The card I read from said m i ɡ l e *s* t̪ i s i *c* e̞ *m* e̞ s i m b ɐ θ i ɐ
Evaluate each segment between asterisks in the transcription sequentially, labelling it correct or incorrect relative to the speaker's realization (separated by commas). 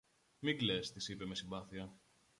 correct, incorrect, correct